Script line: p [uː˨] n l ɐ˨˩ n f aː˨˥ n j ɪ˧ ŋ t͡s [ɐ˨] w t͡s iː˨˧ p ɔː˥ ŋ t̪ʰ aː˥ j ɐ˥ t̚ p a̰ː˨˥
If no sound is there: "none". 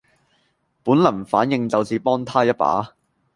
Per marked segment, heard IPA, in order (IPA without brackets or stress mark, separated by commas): uː˨˥, ɐ˨